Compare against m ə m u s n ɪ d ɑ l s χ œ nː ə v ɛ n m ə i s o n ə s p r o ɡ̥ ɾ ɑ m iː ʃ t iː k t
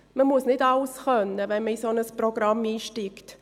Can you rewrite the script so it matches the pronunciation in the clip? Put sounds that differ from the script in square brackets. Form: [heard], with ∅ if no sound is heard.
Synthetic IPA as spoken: m ə m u s n ɪ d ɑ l s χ œ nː ə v ɛ n m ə i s o n ə s p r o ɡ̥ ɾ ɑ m iː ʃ t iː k t